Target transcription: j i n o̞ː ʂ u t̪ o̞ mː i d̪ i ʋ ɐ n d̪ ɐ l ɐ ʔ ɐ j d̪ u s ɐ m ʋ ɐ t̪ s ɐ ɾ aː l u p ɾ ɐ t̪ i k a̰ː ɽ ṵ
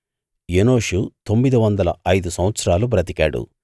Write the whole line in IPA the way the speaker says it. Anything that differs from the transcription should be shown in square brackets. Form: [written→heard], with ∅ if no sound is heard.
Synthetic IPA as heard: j [i→e] n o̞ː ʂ u t̪ o̞ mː i d̪ i ʋ ɐ n d̪ ɐ l ɐ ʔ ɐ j d̪ u s ɐ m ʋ ɐ t̪ s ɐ ɾ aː l u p ɾ ɐ t̪ i k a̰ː ɽ ṵ